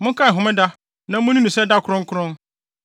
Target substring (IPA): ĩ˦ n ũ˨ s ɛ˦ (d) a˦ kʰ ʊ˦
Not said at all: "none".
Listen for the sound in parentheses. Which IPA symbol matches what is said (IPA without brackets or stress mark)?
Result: d